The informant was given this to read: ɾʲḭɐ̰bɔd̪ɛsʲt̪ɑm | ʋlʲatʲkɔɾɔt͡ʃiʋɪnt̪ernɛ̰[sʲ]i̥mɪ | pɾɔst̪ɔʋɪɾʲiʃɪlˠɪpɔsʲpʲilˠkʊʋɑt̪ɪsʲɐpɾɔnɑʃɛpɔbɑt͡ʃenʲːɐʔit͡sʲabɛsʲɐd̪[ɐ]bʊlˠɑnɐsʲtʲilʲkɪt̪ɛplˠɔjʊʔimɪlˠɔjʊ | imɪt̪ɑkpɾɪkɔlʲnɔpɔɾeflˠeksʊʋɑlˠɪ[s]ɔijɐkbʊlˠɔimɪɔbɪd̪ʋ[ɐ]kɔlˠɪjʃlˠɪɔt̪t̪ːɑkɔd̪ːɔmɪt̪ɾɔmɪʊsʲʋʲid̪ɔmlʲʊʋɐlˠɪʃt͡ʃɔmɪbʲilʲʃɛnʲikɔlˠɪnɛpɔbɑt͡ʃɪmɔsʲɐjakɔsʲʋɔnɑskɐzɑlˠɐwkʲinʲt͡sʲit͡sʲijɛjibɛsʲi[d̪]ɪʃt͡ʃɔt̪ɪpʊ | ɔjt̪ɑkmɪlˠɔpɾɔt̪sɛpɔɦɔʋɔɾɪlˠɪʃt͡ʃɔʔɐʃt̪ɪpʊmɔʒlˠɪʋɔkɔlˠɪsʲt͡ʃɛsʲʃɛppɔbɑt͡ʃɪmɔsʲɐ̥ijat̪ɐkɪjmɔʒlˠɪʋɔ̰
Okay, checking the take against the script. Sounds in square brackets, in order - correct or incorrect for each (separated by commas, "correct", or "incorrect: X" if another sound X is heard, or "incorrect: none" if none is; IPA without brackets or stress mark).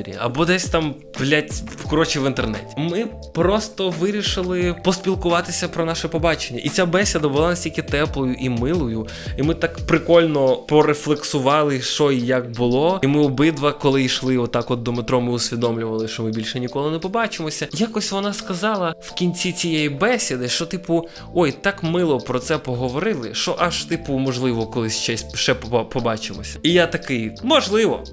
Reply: incorrect: tʲ, correct, incorrect: ʃ, correct, correct